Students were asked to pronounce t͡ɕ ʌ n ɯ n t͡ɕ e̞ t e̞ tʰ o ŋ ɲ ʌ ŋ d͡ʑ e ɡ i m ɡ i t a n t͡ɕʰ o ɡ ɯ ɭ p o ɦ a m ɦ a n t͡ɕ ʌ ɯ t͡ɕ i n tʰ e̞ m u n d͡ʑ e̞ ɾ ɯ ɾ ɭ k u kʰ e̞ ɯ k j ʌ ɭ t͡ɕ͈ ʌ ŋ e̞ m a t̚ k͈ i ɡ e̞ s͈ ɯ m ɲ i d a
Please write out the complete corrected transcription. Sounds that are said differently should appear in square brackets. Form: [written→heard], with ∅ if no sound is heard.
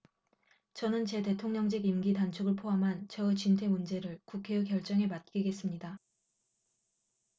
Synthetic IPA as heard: t͡ɕ ʌ n ɯ n t͡ɕ e̞ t e̞ tʰ o ŋ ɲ ʌ ŋ d͡ʑ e ɡ i m ɡ i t a n t͡ɕʰ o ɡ ɯ ɭ [p→pʰ] o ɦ a m ɦ a n t͡ɕ ʌ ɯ t͡ɕ i n tʰ e̞ m u n d͡ʑ e̞ ɾ ɯ [ɾ→∅] ɭ k u kʰ e̞ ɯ k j ʌ ɭ t͡ɕ͈ ʌ ŋ e̞ m a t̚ k͈ i ɡ e̞ s͈ ɯ m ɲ i d a